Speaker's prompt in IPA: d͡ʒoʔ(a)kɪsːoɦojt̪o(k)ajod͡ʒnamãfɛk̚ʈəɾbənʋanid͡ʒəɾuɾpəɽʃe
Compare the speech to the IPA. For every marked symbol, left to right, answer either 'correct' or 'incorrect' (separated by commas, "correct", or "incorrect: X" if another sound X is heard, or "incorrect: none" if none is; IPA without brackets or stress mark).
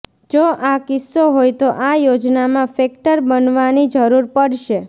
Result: correct, incorrect: ʔ